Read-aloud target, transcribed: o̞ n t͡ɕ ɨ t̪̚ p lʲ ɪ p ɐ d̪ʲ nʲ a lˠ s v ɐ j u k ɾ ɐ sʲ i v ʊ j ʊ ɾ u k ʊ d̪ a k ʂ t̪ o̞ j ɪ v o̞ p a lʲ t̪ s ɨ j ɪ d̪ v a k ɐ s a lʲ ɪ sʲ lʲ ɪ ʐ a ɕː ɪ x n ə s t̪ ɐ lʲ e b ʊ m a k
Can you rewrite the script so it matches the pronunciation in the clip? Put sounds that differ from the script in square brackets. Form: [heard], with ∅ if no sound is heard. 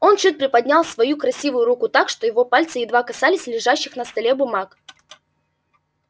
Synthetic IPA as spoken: o̞ n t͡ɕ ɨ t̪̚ p [ɾʲ] ɪ p ɐ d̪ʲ nʲ a lˠ s v ɐ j u k ɾ ɐ sʲ i v ʊ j ʊ ɾ u k ʊ [t̪] a k ʂ t̪ o̞ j ɪ v o̞ p a lʲ t̪ s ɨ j ɪ d̪ v a k ɐ s a lʲ ɪ sʲ lʲ ɪ ʐ a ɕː ɪ x n ə s t̪ ɐ lʲ e b ʊ m a k